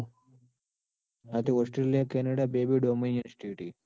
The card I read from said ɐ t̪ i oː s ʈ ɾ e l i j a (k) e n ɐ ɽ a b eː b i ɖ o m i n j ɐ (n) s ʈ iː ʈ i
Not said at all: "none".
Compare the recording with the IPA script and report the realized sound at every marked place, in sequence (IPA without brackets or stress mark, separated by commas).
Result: k, n